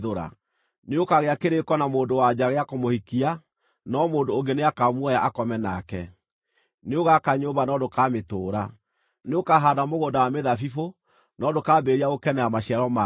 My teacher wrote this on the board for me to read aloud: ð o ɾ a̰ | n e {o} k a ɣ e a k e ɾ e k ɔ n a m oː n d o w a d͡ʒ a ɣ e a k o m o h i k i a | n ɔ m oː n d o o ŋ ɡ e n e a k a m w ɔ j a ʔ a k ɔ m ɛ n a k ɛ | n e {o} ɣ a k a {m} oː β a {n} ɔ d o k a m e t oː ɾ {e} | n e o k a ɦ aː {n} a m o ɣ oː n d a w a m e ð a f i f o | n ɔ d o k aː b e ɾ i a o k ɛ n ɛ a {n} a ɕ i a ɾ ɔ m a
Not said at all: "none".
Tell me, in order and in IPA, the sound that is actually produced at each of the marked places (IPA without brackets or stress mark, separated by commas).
o, o, ɲ, n, a, d, m